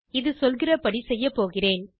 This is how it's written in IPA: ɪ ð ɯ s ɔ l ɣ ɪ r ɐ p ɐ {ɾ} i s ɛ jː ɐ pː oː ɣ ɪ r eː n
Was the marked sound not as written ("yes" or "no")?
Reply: yes